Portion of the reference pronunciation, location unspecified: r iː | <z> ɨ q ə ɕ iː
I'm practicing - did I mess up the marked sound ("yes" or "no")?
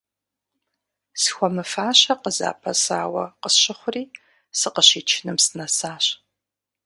yes